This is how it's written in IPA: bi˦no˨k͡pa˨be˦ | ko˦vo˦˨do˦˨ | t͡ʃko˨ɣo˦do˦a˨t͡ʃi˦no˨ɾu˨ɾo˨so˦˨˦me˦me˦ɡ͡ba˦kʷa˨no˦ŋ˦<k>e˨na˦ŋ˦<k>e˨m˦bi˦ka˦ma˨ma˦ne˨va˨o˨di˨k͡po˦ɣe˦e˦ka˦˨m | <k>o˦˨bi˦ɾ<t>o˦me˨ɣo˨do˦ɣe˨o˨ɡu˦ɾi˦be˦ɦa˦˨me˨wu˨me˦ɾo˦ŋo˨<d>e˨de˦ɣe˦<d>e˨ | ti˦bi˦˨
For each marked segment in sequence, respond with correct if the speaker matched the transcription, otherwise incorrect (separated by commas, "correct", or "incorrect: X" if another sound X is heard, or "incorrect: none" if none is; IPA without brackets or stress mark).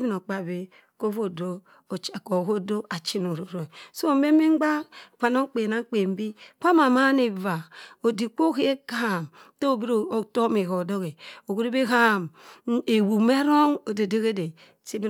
incorrect: k͡p, incorrect: k͡p, incorrect: t, correct, correct, correct